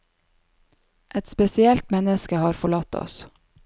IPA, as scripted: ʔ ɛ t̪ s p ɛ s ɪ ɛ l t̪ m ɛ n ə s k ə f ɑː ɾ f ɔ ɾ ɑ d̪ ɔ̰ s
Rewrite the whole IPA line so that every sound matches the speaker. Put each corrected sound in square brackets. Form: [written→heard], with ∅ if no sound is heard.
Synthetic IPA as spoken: ʔ ɛ t̪ s p ɛ s ɪ ɛ l t̪ m ɛ n ə s k ə [f→h] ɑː ɾ f ɔ [ɾ→ɭ] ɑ [d̪→t̪] ɔ̰ s